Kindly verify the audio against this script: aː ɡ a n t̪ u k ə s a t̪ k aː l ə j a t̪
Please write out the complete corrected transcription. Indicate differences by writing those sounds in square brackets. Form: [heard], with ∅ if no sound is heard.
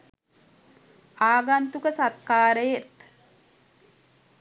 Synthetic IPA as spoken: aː ɡ a n t̪ u k ə s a t̪ k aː [ɾ] ə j [e] t̪